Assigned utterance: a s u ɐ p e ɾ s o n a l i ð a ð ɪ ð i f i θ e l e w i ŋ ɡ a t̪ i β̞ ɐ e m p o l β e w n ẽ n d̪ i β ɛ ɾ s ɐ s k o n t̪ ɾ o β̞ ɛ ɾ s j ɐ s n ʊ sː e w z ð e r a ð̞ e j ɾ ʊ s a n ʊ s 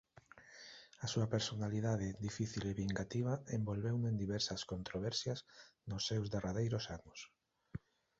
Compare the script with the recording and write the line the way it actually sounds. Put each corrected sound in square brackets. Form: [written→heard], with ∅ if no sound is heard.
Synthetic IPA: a s u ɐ p e ɾ s o n a l i ð a ð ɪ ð i f i θ [e→i] l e [w→β] i ŋ ɡ a t̪ i β̞ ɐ e m [p→b] o l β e w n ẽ n d̪ i β ɛ ɾ s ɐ s k o n t̪ ɾ o β̞ ɛ ɾ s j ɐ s n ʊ sː e w z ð e r a ð̞ e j ɾ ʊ s a n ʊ s